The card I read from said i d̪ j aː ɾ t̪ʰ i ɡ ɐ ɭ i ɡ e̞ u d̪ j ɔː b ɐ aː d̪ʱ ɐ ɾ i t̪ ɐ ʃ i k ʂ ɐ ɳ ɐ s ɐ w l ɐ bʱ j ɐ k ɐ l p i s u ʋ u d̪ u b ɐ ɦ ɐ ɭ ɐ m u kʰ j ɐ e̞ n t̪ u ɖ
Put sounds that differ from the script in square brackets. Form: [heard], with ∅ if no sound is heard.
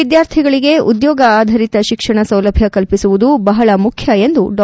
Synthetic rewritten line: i d̪ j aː ɾ t̪ʰ i ɡ ɐ ɭ i ɡ e̞ u d̪ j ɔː [ɡ] ɐ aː d̪ʱ ɐ ɾ i t̪ ɐ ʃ i k ʂ ɐ ɳ ɐ s ɐ w l ɐ bʱ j ɐ k ɐ l p i s u ʋ u d̪ u b ɐ ɦ ɐ ɭ ɐ m u kʰ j ɐ e̞ n [d̪] u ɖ